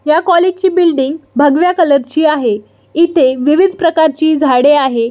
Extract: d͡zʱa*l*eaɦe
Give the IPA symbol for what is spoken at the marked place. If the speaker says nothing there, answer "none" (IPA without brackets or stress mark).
ɽ